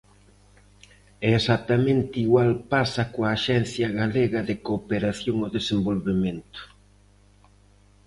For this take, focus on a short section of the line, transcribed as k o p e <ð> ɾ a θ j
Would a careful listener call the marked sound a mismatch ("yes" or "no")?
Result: yes